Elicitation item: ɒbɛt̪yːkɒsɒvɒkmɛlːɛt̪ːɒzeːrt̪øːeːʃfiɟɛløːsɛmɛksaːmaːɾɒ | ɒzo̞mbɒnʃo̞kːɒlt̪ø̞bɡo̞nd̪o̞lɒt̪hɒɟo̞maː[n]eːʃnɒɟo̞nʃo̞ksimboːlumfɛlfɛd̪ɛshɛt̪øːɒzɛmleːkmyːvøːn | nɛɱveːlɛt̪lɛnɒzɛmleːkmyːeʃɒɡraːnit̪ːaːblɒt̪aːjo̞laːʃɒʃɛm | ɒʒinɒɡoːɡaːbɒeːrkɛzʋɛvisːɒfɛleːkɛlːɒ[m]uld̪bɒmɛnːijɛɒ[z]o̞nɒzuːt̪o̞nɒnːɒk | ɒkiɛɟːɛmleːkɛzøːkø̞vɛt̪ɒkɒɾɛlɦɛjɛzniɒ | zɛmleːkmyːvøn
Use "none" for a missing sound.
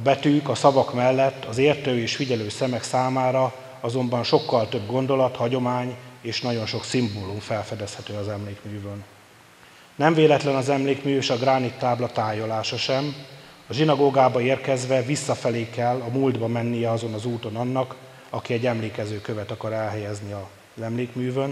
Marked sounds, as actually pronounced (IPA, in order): ɲ, m, z

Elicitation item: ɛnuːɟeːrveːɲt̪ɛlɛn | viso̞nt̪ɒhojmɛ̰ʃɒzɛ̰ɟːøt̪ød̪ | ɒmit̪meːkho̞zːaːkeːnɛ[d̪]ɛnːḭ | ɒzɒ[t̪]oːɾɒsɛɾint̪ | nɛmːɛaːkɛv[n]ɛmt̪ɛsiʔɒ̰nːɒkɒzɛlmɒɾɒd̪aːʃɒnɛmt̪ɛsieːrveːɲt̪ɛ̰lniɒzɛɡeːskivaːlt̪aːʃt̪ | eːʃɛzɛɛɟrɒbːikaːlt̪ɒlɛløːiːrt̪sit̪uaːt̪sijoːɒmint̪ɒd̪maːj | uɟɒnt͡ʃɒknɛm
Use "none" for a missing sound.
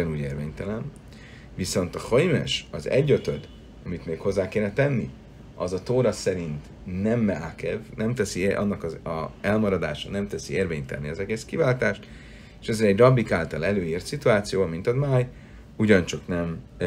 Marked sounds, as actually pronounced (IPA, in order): t̪, t̪, n

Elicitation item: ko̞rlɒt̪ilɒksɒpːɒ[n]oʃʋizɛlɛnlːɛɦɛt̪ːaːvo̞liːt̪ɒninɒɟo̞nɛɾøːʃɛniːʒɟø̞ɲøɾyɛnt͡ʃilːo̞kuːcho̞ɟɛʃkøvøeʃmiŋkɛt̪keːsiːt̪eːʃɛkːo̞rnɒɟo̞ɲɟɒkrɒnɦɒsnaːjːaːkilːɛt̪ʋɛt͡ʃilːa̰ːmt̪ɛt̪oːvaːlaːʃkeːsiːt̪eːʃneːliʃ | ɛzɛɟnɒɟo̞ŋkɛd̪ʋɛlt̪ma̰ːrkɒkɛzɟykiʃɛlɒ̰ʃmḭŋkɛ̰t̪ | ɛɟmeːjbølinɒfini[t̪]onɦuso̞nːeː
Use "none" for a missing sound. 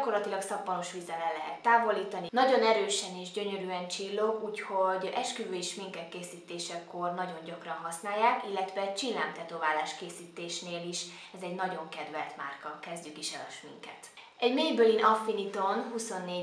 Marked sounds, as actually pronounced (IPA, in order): n, t̪

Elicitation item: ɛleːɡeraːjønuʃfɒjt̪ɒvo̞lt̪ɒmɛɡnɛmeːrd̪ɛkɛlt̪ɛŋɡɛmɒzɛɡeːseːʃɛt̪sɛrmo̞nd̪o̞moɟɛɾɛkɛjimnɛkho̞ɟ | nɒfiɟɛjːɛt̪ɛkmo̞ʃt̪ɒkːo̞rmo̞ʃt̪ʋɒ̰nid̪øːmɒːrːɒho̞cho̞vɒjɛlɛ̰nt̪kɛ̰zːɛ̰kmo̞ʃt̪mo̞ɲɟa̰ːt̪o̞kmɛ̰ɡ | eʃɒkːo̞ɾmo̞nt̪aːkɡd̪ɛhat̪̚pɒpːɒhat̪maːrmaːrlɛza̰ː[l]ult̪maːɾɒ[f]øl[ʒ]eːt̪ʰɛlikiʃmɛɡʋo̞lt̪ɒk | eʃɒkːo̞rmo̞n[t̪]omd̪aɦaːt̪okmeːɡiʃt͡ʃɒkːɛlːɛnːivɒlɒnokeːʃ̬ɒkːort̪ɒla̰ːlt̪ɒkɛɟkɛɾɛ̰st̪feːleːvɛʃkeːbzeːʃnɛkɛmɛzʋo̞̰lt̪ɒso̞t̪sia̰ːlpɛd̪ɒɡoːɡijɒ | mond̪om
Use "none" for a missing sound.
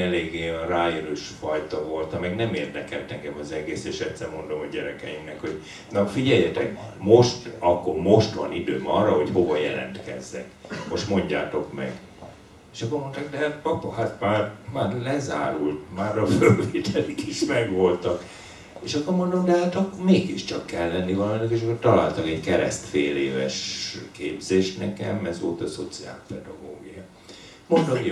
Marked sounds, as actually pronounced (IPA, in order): ɾ, f, v, d̪

